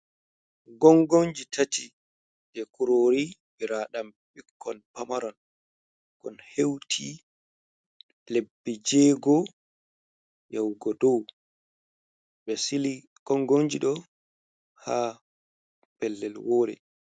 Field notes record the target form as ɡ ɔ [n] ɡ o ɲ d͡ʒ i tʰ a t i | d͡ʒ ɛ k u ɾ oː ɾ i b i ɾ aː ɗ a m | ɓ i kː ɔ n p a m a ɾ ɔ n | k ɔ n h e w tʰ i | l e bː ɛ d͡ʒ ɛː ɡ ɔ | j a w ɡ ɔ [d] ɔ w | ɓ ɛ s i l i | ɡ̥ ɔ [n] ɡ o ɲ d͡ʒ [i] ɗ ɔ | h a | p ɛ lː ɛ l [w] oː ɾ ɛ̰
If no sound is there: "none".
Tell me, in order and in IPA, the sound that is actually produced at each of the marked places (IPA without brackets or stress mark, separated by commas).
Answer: ŋ, d, ŋ, i, w